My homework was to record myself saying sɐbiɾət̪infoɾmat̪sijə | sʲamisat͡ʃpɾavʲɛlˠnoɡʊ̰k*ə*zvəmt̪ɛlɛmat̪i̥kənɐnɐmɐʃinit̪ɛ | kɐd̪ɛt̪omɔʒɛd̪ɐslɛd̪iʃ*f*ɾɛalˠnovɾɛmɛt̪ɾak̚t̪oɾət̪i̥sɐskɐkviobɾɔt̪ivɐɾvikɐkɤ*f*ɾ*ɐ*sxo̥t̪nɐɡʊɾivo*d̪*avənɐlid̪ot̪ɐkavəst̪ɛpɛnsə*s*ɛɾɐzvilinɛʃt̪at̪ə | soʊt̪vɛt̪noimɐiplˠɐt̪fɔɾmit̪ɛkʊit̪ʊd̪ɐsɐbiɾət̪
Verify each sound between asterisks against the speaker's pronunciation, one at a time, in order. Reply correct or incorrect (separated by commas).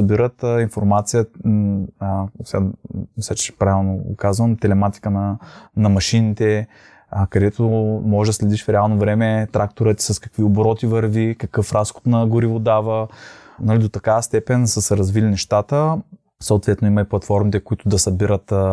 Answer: incorrect, correct, correct, incorrect, correct, correct